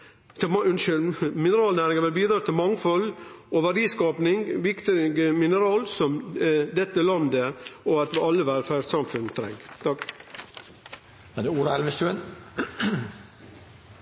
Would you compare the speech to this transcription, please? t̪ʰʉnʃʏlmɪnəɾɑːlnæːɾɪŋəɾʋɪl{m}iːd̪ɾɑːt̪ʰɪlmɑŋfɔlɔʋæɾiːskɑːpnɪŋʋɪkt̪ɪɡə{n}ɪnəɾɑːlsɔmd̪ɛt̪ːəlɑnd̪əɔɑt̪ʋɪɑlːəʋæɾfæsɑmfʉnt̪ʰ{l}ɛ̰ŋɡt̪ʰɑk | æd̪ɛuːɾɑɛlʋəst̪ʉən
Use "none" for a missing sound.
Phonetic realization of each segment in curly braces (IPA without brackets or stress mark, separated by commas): b, m, ɾ